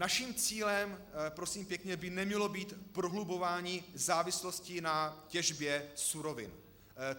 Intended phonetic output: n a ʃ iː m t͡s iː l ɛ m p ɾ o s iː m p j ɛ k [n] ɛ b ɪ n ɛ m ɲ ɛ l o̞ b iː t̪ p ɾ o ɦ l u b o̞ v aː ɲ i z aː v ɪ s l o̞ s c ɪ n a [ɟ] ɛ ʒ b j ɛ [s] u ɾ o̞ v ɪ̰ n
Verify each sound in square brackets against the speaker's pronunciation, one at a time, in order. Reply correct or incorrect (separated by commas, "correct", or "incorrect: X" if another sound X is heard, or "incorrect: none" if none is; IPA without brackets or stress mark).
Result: incorrect: ɲ, incorrect: c, correct